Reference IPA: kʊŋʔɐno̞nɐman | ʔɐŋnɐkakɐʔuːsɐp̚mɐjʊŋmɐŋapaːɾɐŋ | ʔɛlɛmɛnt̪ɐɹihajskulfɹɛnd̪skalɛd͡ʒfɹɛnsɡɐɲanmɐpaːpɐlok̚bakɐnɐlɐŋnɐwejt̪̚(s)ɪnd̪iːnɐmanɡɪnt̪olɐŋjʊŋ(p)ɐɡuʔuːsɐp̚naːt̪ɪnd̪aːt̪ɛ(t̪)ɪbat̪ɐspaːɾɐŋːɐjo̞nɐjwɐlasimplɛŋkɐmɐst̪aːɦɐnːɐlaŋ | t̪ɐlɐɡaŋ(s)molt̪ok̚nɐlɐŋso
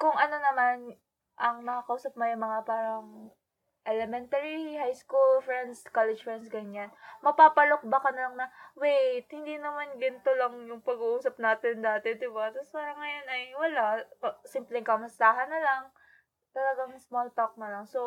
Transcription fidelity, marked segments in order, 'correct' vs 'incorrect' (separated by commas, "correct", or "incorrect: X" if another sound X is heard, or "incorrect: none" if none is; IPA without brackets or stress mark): incorrect: h, correct, incorrect: d̪, correct